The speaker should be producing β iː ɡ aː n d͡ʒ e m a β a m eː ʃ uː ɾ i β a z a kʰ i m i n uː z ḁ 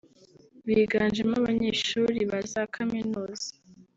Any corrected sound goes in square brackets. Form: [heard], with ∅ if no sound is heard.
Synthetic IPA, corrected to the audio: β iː ɡ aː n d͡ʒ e m a β a [ɲ] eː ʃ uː ɾ i β a z a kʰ [a] m i n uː z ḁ